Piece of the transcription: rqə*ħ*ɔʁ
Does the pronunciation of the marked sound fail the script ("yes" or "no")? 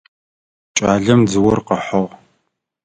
no